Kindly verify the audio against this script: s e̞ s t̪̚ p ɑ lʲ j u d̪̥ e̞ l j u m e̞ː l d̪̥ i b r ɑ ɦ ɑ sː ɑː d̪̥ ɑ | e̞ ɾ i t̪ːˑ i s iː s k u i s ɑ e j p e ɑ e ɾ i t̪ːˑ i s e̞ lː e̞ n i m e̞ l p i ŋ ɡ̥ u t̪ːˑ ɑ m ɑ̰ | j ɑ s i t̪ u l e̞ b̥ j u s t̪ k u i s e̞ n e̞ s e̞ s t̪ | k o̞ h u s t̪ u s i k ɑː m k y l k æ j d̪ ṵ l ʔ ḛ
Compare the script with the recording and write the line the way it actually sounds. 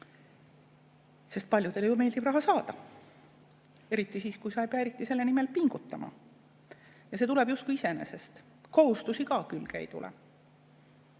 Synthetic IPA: s e̞ s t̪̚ p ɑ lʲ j u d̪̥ e̞ l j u m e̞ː l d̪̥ i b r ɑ ɦ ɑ s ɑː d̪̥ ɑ | e̞ ɾ i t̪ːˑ i s iː s k u j s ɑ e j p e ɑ e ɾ i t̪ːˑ i s e̞ lː e̞ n i m e̞ l p i ŋ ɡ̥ u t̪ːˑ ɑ m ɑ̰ | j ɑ s e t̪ u l e̞ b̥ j u s t̪ k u i s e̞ n e̞ s e̞ s t̪ | k o̞ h u s t̪ u s i k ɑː k y l k æ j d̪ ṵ l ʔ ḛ